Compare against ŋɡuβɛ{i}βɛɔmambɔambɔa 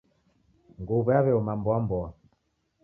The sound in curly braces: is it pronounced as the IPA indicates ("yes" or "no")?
no